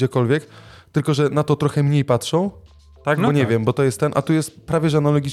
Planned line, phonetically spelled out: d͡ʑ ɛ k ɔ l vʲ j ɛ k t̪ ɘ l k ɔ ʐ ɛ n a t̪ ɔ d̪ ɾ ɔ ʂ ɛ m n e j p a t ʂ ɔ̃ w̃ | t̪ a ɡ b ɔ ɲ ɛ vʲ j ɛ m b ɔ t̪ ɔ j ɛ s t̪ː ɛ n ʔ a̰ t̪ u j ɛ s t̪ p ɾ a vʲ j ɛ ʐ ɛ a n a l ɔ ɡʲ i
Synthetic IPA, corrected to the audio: d͡ʑ ɛ k ɔ l vʲ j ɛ k t̪ ɘ l k ɔ ʐ ɛ n a t̪ ɔ t̪ ɾ ɔ x ɛ m ɲ e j p a t ʂ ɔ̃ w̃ | t̪ a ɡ b ɔ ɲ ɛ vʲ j ɛ m b ɔ t̪ ɔ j ɛ s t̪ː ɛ n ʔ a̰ t̪ u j ɛ s t̪ p ɾ a vʲ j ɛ ʐ ɛ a n a l ɔ ɡʲ i